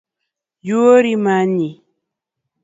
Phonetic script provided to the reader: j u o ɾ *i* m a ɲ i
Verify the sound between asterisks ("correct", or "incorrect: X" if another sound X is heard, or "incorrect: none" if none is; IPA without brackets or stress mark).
correct